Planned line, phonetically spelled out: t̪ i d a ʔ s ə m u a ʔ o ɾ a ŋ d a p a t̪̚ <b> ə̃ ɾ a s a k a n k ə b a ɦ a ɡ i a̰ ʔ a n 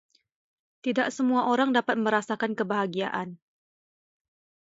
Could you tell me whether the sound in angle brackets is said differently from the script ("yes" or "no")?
yes